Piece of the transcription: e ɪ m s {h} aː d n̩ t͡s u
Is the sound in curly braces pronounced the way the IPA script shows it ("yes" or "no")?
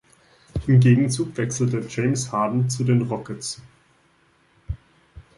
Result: yes